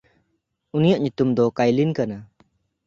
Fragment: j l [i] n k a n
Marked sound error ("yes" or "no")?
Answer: no